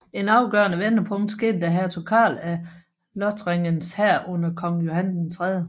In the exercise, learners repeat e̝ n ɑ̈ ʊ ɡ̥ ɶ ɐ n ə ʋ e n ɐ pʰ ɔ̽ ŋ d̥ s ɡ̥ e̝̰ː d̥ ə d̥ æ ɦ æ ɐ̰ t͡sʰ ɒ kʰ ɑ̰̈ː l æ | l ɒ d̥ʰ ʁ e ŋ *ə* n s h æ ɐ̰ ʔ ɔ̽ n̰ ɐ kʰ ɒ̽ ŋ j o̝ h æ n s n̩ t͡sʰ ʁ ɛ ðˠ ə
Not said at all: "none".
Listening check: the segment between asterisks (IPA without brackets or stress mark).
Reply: ə